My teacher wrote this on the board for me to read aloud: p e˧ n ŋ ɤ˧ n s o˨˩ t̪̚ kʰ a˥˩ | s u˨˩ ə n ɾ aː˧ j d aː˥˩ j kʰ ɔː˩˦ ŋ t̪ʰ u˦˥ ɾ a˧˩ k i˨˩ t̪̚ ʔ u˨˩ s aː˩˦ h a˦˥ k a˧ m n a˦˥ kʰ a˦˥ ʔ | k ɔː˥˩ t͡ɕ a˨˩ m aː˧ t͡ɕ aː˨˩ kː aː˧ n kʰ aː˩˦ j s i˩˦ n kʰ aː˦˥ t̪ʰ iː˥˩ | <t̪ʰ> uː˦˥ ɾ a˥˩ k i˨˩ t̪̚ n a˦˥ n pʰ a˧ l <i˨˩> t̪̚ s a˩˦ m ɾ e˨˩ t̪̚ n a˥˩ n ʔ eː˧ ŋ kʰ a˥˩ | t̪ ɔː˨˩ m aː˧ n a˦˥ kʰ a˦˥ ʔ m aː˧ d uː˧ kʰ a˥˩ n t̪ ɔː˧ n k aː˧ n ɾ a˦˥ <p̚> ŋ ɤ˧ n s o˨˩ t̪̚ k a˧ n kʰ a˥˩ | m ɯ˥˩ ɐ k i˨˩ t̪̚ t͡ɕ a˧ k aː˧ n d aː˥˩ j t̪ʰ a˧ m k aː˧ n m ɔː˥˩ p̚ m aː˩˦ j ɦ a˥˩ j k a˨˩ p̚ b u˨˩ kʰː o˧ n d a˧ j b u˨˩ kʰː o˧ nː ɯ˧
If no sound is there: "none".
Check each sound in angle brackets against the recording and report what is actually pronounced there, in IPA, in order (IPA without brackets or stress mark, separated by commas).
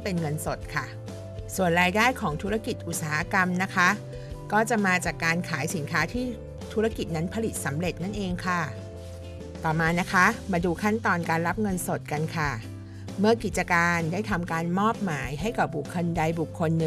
t̪ʰ, i˨˩, p̚